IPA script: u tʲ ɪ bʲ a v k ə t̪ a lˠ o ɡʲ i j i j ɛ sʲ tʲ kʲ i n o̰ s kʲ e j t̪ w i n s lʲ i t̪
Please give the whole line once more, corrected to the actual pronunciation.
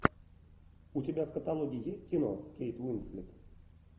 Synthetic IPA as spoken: u tʲ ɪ bʲ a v k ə t̪ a lˠ o ɡʲ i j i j e sʲ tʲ kʲ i n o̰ s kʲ e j t̪ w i n s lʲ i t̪